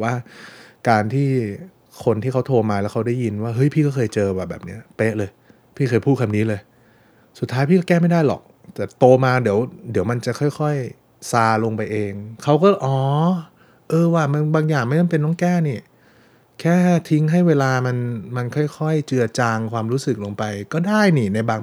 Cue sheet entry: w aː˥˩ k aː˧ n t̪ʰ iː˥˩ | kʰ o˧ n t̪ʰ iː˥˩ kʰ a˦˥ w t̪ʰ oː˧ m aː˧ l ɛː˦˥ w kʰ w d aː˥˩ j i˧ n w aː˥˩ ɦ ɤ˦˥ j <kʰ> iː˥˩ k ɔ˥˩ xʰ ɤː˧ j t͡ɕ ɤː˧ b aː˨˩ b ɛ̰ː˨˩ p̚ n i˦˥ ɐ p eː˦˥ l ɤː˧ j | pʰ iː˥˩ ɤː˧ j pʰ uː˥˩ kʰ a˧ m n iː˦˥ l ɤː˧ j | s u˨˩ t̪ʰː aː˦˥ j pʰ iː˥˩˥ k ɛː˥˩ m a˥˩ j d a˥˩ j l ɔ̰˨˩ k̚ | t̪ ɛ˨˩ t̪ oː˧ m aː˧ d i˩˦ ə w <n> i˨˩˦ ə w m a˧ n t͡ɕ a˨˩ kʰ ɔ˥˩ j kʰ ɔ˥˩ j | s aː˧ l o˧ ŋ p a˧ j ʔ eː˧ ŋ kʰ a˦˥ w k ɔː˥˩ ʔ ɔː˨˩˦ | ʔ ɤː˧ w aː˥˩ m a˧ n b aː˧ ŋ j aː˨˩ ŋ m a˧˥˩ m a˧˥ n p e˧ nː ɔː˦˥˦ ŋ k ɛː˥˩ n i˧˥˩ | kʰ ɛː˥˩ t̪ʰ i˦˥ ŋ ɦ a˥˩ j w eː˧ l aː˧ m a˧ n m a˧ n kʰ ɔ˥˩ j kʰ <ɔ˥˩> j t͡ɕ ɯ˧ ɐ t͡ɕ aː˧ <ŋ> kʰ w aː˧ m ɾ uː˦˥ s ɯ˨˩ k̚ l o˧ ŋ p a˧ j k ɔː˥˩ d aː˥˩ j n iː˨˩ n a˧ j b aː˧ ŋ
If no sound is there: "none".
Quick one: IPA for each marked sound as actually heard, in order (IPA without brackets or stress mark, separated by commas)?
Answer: pʰ, d, ɔ˥˩, ŋ